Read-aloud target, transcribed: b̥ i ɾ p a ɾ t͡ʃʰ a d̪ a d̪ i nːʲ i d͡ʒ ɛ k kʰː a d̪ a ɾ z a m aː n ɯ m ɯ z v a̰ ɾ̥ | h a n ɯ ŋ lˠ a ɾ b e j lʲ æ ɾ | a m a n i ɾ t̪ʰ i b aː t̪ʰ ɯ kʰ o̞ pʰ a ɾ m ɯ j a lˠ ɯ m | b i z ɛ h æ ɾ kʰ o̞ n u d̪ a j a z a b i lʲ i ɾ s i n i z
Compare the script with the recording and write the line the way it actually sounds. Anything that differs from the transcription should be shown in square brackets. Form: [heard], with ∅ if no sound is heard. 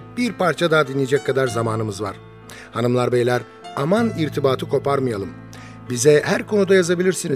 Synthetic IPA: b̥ i ɾ p a ɾ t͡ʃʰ a d̪ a d̪ i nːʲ i d͡ʒ ɛ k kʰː a d̪ a ɾ z a m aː n ɯ m ɯ z v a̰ ɾ̥ | h a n ɯ [m] lˠ a ɾ b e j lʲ æ ɾ | a m a n i ɾ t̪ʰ i b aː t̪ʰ ɯ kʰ o̞ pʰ a ɾ m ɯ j a lˠ ɯ m | b i z ɛ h æ ɾ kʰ o̞ n u d̪ a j a z a b i lʲ i ɾ s i n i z